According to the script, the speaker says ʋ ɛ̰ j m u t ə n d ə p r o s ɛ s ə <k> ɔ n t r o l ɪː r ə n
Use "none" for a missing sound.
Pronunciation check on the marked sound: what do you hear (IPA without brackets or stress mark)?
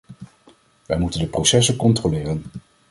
k